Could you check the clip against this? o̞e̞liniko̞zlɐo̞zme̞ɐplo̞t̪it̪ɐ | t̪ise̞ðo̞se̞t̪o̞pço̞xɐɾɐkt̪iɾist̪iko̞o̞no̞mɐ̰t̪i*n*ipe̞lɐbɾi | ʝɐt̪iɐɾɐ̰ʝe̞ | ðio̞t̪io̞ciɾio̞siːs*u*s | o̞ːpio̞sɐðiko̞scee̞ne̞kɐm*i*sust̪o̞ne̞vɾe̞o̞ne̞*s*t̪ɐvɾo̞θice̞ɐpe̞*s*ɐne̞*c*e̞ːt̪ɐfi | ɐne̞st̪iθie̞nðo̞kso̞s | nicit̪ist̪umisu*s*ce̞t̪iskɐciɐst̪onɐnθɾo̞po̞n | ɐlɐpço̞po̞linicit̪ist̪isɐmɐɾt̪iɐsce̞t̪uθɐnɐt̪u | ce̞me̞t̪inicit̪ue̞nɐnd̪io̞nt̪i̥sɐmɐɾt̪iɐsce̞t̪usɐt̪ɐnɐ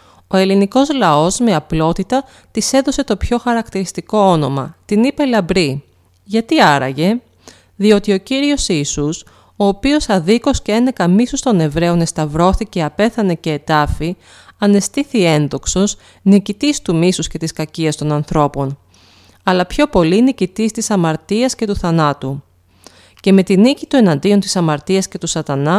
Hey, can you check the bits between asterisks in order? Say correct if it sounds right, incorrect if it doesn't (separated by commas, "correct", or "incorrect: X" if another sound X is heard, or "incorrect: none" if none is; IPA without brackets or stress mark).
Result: correct, correct, correct, correct, incorrect: θ, correct, correct